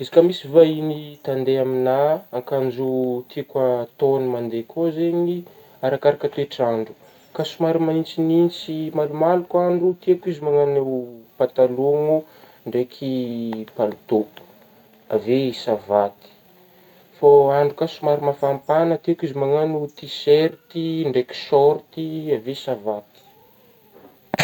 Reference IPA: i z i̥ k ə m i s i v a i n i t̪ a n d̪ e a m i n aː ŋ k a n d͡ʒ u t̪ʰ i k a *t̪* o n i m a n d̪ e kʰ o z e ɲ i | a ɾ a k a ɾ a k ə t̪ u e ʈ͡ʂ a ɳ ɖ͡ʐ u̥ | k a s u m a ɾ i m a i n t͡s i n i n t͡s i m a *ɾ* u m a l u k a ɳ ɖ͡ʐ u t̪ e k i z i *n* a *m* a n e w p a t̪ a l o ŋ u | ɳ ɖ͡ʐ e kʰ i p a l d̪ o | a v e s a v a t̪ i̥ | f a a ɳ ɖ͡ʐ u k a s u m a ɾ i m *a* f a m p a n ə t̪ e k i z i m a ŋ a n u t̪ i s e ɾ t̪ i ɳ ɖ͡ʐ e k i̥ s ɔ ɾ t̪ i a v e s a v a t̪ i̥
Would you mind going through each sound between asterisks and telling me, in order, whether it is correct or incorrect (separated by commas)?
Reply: correct, incorrect, incorrect, incorrect, correct